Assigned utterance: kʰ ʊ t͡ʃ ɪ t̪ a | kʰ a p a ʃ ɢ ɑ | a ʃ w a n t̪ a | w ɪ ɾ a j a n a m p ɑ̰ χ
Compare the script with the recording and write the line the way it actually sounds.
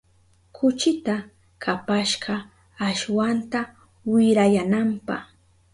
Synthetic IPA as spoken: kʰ ʊ t͡ʃ ɪ t̪ a | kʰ a p a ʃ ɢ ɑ | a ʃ w a n t̪ a | w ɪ ɾ a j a n a m p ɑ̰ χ